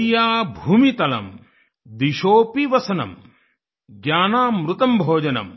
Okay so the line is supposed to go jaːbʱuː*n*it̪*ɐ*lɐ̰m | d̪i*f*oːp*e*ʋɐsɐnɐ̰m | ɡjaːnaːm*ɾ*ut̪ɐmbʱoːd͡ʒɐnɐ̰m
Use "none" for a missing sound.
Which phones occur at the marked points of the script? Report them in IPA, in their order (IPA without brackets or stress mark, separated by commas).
m, ɐ, ʃ, i, ɾ